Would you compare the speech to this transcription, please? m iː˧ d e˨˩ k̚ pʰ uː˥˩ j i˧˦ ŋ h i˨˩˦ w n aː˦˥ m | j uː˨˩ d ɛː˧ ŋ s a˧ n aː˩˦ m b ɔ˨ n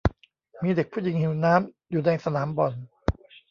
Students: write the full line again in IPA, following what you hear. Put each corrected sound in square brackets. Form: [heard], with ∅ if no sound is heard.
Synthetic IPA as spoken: m iː˧ d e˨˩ k̚ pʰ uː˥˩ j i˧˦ ŋ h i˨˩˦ w n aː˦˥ m | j uː˨˩ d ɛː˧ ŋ s a˧ n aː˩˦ m b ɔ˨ n